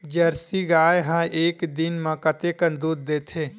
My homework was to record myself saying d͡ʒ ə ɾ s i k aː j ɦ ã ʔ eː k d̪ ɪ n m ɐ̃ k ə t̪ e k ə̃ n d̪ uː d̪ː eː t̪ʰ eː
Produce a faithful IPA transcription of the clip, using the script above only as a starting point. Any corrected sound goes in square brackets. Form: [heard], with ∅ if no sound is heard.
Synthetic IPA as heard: d͡ʒ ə ɾ s i [ɡ] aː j ɦ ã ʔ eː k d̪ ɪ n m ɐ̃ k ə t̪ e k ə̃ n d̪ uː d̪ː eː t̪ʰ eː